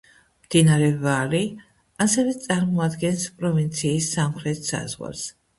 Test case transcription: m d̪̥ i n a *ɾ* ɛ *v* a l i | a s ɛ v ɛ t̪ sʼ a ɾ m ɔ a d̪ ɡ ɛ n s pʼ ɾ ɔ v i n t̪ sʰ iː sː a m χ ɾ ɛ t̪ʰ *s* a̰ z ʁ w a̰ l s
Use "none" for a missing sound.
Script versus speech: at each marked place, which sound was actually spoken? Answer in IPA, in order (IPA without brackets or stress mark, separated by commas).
ɾ, v, s